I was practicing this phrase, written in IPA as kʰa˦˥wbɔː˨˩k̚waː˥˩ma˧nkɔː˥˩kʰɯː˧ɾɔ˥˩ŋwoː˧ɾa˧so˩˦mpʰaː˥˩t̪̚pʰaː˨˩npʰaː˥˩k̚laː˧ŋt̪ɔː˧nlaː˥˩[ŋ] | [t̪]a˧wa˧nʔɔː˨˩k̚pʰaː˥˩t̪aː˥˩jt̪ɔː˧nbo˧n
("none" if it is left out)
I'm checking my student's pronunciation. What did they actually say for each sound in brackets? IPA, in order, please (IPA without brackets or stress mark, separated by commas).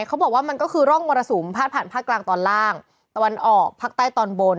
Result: ŋ, t̪